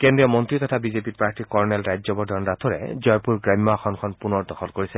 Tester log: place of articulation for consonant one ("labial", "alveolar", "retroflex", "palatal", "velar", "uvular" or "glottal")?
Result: velar